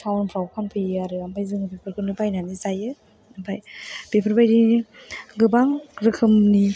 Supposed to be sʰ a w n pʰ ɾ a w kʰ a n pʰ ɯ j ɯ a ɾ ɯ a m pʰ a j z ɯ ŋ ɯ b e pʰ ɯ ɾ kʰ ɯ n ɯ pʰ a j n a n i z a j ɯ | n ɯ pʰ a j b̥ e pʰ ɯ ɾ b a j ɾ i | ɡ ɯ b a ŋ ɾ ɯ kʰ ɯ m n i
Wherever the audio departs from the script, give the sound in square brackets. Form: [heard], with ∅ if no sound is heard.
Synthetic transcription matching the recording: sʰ a w n pʰ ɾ a w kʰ a n pʰ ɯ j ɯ a ɾ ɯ a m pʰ a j z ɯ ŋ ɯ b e pʰ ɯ ɾ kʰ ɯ n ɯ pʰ a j n a n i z a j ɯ | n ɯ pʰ a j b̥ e pʰ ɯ ɾ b a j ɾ i | ɡ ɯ b a ŋ ɾ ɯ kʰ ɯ m n i